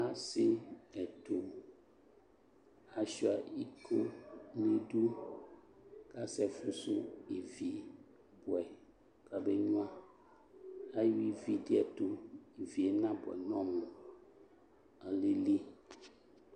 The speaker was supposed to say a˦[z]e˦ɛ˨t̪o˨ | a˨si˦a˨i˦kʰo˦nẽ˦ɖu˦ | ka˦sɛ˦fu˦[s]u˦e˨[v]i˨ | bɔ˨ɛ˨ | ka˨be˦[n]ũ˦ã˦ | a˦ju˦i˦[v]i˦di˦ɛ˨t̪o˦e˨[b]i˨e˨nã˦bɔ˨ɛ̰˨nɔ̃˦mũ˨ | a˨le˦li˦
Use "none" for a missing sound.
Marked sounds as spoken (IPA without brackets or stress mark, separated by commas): s, s, v, ɲ, v, v